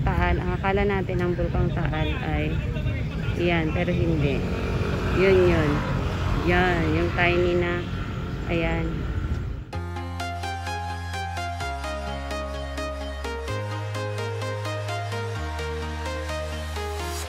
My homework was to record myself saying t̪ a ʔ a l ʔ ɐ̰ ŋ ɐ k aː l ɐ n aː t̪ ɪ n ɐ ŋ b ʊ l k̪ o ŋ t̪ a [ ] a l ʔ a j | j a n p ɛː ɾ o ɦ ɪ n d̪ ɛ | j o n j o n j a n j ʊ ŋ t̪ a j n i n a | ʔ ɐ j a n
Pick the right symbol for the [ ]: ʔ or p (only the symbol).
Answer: ʔ